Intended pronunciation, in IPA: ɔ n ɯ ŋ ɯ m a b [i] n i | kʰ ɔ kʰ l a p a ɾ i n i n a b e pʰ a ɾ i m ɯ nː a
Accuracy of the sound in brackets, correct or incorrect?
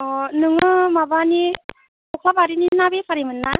incorrect